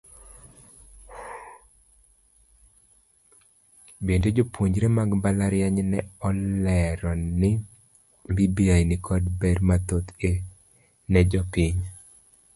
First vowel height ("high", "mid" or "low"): mid